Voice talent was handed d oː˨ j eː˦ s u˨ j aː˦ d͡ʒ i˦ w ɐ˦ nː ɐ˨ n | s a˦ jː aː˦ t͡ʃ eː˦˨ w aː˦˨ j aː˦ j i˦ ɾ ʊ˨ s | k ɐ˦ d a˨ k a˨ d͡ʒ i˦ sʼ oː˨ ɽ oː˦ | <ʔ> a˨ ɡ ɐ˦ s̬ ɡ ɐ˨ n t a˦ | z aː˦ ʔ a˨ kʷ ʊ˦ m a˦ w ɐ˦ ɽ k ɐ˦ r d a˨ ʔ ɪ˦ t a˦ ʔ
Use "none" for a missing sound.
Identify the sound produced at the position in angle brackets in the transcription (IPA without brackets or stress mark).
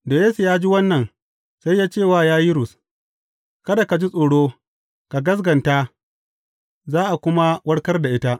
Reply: k